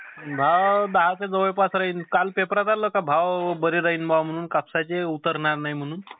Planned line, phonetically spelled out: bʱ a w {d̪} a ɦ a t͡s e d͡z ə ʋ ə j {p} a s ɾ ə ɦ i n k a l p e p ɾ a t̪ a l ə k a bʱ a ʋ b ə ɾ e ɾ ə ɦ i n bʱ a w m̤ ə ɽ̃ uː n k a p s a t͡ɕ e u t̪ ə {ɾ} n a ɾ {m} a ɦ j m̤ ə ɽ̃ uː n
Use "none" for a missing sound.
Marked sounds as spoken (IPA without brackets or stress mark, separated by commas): d̪, p, ɾ, n